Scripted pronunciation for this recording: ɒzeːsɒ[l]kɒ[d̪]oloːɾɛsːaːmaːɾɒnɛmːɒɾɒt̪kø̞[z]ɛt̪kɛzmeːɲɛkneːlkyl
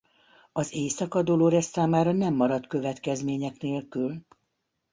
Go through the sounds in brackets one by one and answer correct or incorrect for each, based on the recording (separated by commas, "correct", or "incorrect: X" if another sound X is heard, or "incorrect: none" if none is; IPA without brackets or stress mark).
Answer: incorrect: none, correct, incorrect: v